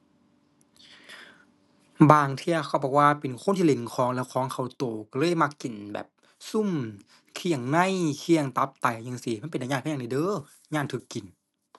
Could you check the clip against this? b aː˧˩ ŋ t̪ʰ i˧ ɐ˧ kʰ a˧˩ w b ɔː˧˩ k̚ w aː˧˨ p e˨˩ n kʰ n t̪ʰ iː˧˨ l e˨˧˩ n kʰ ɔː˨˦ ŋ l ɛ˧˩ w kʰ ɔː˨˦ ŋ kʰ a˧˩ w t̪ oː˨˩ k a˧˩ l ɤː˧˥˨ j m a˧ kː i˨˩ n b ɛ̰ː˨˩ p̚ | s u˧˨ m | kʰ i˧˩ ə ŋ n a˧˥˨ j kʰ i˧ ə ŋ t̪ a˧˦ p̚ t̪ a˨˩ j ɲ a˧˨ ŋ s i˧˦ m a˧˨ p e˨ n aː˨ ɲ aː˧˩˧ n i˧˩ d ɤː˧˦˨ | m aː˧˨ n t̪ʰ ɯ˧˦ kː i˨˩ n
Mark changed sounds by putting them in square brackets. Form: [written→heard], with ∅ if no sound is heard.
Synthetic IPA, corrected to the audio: b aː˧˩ ŋ t̪ʰ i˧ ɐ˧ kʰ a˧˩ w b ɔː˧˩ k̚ w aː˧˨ p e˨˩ n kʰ n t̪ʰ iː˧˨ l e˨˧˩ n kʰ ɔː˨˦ ŋ l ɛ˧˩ w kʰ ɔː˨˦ ŋ kʰ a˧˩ w t̪ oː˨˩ k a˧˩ l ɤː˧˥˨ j m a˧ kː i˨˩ n b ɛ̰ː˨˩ p̚ | s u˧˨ m | kʰ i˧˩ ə ŋ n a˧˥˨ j kʰ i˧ ə ŋ t̪ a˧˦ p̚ t̪ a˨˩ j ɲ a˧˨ ŋ s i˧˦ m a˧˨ p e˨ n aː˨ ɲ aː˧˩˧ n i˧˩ d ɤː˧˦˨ | [m→ɲ] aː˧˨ n t̪ʰ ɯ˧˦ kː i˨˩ n